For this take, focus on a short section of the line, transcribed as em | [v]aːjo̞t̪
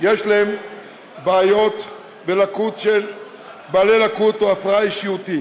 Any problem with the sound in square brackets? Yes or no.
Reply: yes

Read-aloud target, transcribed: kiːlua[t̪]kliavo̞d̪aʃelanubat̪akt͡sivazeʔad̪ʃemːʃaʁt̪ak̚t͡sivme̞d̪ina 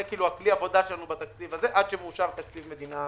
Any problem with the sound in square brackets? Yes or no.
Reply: yes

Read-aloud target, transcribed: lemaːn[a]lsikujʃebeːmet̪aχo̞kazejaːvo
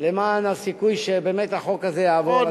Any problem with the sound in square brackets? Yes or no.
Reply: no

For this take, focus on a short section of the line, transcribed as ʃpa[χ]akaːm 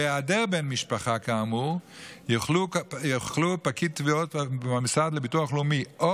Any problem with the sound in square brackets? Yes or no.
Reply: no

